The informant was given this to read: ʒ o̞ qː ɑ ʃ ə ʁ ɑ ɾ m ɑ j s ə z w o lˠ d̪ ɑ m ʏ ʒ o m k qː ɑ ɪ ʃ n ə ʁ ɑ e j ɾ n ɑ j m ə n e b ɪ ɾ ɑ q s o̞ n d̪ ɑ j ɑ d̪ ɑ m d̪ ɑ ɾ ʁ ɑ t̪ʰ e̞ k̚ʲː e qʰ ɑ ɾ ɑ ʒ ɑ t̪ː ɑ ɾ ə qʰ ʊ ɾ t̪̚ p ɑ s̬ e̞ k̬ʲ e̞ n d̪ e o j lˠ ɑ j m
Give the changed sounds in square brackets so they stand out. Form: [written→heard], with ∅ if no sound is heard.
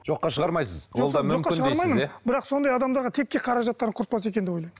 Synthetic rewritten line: ʒ o̞ qː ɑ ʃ ə ʁ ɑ ɾ m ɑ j s ə z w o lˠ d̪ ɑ m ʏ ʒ o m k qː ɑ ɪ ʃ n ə ʁ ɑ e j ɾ [n→m] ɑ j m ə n e b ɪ ɾ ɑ q s o̞ n d̪ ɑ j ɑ d̪ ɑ m d̪ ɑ ɾ ʁ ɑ t̪ʰ e̞ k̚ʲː e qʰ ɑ ɾ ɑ ʒ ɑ t̪ː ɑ ɾ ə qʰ ʊ ɾ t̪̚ p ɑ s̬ e̞ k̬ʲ e̞ n d̪ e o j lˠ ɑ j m

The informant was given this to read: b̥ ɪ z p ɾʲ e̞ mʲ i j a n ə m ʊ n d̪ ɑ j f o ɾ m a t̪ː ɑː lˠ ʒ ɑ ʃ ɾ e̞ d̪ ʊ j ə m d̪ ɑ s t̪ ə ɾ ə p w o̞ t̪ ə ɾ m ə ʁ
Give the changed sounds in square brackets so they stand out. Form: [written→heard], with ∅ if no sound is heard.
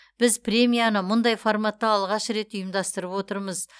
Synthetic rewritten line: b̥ ɪ z p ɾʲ e̞ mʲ i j a n ə m ʊ n d̪ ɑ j f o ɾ m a t̪ː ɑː lˠ [ʒ→ʁ] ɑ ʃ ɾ e̞ [d̪→t̪] ʊ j ə m d̪ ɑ s t̪ ə ɾ ə p w o̞ t̪ ə ɾ m ə [ʁ→z]

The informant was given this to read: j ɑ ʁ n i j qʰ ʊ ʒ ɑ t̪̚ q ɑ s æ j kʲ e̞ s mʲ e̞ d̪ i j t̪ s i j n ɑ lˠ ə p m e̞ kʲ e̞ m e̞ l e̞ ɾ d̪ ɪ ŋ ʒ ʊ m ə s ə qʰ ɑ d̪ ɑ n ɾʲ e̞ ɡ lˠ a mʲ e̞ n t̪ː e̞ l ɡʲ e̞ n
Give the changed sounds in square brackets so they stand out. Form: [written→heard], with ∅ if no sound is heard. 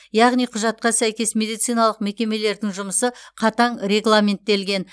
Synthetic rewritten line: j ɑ ʁ n i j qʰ ʊ ʒ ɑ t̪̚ q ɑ s æ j kʲ e̞ s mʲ e̞ d̪ i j t̪ s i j n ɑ lˠ ə [p→q] m e̞ kʲ e̞ m e̞ l e̞ ɾ d̪ ɪ ŋ ʒ ʊ m ə s ə qʰ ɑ [d̪→t̪] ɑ [n→ɴ] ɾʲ e̞ ɡ lˠ a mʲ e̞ n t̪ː e̞ l ɡʲ e̞ n

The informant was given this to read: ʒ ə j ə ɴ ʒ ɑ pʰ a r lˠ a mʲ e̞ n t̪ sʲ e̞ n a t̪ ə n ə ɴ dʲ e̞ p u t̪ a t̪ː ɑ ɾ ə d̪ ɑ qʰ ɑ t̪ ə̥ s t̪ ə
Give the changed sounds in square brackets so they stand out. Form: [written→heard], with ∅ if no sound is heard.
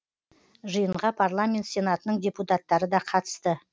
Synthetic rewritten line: ʒ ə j ə ɴ [ʒ→ʁ] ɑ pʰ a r lˠ a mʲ e̞ n t̪ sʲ e̞ n a t̪ ə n ə ɴ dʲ e̞ p u t̪ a t̪ː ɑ ɾ ə d̪ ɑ qʰ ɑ t̪ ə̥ s t̪ ə

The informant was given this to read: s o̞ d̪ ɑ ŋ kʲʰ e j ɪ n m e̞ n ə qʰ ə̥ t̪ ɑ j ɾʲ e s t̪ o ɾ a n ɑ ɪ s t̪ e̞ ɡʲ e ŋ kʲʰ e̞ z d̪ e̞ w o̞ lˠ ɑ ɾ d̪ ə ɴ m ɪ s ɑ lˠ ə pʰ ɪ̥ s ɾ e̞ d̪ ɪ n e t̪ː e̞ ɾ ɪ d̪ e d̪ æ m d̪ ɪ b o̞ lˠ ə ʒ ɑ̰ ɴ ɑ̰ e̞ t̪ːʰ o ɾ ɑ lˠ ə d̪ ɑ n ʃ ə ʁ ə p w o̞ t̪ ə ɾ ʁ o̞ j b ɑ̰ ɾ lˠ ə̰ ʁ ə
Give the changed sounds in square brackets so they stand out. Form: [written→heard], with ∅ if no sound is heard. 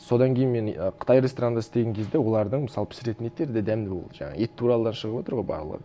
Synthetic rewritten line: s o̞ d̪ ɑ ŋ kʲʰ e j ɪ n m e̞ n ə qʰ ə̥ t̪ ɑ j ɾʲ e s t̪ o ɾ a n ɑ ɪ s t̪ e̞ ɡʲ e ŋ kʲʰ e̞ z d̪ e̞ w o̞ lˠ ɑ ɾ d̪ ə ɴ m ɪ s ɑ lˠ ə pʰ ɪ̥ s ɾ e̞ [d̪→t̪] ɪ n e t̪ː e̞ ɾ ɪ d̪ e d̪ æ m d̪ ɪ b o̞ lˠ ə ʒ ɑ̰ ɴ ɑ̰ e̞ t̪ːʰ [o→u] ɾ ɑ lˠ ə d̪ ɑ n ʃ ə ʁ ə p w o̞ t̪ ə ɾ ʁ o̞ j b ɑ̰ ɾ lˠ ə̰ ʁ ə

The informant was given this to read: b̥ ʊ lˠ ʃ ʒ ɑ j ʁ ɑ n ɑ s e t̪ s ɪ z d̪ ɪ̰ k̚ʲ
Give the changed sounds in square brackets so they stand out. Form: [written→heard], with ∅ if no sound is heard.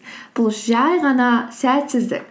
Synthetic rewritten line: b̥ ʊ lˠ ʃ ʒ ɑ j ʁ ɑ n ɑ s [e→æ] t̪ s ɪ z d̪ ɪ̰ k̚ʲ

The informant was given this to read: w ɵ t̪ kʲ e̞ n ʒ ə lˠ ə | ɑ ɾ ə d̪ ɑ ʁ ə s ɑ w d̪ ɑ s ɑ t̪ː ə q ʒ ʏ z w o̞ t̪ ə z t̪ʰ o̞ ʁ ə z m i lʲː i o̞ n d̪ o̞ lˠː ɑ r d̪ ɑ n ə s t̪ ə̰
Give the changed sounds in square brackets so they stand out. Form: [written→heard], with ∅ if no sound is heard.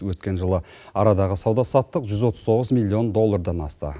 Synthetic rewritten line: w ɵ t̪ kʲ e̞ n ʒ ə lˠ ə | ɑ ɾ [ə→ɑ] d̪ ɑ ʁ ə s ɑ w d̪ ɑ s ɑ t̪ː ə q ʒ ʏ z w o̞ t̪ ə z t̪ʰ o̞ ʁ ə z m i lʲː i o̞ n d̪ o̞ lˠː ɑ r d̪ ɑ n [ə→ɑ] s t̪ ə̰

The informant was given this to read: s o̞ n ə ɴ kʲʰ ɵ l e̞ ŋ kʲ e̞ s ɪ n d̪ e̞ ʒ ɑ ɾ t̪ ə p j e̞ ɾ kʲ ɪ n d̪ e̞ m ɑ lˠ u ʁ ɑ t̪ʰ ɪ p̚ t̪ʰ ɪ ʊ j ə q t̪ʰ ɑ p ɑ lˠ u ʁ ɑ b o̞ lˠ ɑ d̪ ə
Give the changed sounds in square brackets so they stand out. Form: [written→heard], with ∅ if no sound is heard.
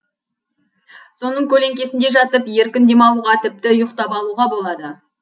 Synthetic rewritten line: s o̞ n ə ɴ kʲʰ ɵ l e̞ ŋ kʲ e̞ s ɪ n d̪ e̞ ʒ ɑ [ɾ→∅] t̪ ə p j e̞ ɾ kʲ ɪ n d̪ e̞ m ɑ lˠ u ʁ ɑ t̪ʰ ɪ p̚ [t̪ʰ→t̪] ɪ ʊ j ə q [t̪ʰ→t̪] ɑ p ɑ lˠ u ʁ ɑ b o̞ lˠ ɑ d̪ ə

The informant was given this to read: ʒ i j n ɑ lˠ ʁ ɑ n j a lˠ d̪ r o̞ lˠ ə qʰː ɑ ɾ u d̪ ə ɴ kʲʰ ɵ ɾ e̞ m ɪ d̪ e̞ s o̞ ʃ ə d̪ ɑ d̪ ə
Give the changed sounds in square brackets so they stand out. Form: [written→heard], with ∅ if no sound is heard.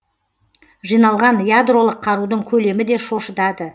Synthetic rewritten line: ʒ i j n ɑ lˠ ʁ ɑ n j a [lˠ→∅] d̪ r o̞ lˠ ə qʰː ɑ ɾ u d̪ ə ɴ kʲʰ ɵ [ɾ→l] e̞ m ɪ d̪ e̞ [s→ʃ] o̞ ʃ ə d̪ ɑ d̪ ə

